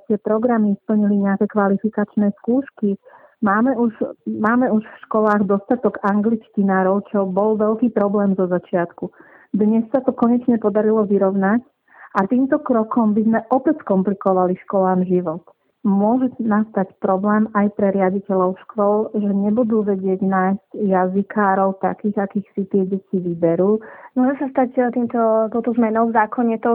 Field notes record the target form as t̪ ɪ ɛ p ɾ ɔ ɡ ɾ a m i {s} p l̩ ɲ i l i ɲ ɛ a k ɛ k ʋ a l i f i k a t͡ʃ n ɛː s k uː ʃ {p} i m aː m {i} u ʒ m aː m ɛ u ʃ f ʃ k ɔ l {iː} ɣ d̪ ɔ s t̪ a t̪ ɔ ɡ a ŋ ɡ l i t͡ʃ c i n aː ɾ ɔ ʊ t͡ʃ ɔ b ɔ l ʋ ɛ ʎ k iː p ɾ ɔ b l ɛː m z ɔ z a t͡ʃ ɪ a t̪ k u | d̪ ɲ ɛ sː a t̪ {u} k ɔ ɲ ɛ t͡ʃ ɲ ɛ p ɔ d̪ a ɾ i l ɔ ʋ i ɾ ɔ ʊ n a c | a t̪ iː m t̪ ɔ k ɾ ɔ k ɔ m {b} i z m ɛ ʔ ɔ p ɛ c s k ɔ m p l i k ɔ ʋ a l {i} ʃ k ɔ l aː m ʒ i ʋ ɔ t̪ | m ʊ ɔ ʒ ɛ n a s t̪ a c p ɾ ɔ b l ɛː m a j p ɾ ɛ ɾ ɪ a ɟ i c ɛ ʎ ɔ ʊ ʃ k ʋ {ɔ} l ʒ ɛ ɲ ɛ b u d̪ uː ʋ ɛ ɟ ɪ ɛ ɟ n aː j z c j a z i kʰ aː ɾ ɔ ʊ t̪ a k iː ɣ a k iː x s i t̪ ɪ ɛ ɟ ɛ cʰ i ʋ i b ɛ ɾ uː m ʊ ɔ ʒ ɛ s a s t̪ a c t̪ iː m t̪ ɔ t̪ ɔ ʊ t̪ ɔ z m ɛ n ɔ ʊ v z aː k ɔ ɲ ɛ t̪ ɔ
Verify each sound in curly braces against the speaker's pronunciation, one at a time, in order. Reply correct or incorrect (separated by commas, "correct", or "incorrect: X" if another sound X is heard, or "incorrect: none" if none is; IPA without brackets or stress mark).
correct, incorrect: k, incorrect: ɛ, incorrect: aː, incorrect: ɔ, correct, correct, correct